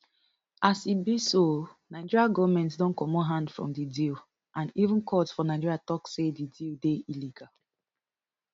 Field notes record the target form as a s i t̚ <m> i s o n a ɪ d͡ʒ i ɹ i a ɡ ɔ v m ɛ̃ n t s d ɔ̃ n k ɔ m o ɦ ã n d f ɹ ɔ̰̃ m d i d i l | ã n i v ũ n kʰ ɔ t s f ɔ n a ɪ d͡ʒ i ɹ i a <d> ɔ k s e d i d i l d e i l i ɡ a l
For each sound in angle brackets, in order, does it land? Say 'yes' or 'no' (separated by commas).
no, no